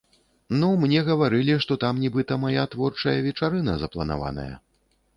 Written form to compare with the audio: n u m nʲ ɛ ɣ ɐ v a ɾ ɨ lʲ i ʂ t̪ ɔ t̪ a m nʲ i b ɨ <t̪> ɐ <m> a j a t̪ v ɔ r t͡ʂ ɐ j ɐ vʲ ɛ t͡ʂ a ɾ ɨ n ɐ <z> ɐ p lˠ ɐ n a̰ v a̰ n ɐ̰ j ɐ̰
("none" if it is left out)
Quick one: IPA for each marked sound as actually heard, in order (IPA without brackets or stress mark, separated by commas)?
t̪, m, z